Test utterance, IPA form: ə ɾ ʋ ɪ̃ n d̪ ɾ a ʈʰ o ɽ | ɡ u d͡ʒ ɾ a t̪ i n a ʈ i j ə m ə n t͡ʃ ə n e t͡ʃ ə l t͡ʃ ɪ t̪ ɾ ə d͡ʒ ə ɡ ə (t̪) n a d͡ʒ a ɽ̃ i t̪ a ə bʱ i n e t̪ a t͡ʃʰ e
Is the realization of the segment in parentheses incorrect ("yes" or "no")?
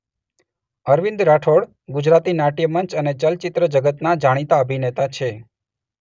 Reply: no